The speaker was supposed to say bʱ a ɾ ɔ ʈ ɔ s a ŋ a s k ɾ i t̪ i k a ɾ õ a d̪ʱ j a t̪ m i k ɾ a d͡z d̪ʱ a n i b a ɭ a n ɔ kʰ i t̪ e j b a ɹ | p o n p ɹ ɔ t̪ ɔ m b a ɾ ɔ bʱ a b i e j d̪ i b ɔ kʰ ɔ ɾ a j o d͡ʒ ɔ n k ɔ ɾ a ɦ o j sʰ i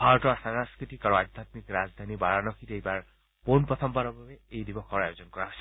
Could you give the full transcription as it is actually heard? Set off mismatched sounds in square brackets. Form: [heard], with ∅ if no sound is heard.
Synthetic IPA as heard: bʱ a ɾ ɔ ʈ ɔ s a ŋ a s k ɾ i t̪ i k a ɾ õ a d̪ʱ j a t̪ m i k ɾ a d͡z d̪ʱ a n i b a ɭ a n ɔ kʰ i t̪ e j b a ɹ | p o n p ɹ ɔ [t̪ʰ] ɔ m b a ɾ ɔ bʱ a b [e] e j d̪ i b ɔ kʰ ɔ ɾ a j o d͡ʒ ɔ n k ɔ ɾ a ɦ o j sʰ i